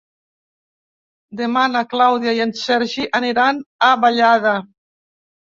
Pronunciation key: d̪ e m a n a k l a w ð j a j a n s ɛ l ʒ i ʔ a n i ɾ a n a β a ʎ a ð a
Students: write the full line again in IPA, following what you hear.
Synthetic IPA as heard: d̪ e m a n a k l a w ð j a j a n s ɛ ɾ ʒ i ʔ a n i ɾ a n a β a ʎ a ð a

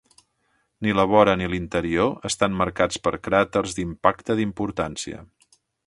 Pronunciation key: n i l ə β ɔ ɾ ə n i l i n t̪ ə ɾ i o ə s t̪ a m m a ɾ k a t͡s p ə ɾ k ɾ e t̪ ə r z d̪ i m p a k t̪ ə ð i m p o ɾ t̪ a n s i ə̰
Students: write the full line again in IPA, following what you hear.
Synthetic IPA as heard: n i l ə β ɔ ɾ ə n i l i n t̪ ə ɾ i o ə s t̪ a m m ə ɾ k a t͡s p ə ɾ k ɾ a t̪ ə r z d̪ i m p a k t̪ ə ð i m p u ɾ t̪ a n s i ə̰

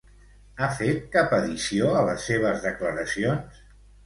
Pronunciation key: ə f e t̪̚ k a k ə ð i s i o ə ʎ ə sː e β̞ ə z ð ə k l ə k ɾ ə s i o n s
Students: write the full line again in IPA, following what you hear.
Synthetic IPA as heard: a f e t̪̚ k a p ə ð i s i o ə l ə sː e β̞ ə z ð ə k l ə ɾ ə s i o n s

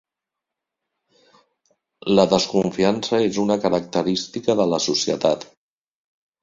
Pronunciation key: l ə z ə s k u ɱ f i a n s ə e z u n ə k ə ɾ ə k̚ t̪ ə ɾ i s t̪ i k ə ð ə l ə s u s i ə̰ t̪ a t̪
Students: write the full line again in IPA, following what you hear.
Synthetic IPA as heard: l ə ð ə s k u ɱ f i a n s ə e z u n ə k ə ɾ ə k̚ t̪ ə ɾ i s t̪ i k ə ð ə l ə s u s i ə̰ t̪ a t̪

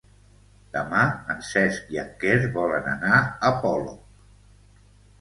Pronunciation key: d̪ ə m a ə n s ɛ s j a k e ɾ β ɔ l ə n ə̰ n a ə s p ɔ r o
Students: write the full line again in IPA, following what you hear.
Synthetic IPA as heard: d̪ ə m a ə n s ɛ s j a k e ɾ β ɔ l ə n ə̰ n a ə p ɔ l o

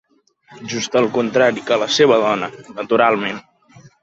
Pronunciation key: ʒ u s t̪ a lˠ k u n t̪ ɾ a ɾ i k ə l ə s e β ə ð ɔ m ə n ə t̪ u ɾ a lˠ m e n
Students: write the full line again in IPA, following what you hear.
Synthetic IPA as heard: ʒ u s t̪ ə lˠ k u n t̪ ɾ a ɾ i k ə l ə s e β ə ð ɔ n ə n ə t̪ u ɾ a lˠ m e n

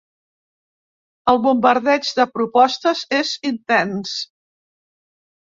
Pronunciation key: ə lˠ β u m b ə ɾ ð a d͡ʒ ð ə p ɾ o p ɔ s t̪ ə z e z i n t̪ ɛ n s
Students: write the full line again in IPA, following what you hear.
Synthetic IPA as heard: ə lˠ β u m b ə ɾ ð ɛ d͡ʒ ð ə p ɾ u p ɔ s t̪ ə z e z i n t̪ ɛ n s

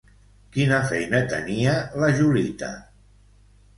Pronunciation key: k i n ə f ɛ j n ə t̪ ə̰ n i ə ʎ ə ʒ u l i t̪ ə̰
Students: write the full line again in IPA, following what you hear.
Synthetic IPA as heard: k i n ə f ɛ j n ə t̪ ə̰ n i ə l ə ʒ u l i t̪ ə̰

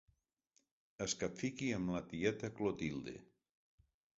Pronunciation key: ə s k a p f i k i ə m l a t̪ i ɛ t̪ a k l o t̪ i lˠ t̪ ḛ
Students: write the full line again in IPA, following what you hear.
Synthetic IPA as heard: ə s k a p f i k i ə m l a t̪ i ɛ t̪ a k l o t̪ i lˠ d̪ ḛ

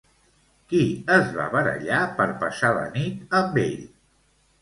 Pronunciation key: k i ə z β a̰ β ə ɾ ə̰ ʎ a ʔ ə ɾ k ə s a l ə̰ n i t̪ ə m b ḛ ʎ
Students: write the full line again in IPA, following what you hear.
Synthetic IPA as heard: k i ə z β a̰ β ə ɾ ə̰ ʎ a p ə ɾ p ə s a l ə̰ n i t̪ ə m b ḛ ʎ

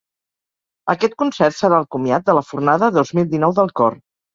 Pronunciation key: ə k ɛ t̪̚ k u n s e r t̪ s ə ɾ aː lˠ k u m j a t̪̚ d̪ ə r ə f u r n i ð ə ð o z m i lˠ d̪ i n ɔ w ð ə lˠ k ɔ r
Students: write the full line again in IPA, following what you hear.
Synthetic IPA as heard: ə k ɛ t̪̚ k u n s ɛ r t̪ s ə ɾ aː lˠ k u m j a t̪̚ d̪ ə l ə f u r n a ð ə ð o z m i lˠ d̪ i n ɔ w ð ə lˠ k ɔ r

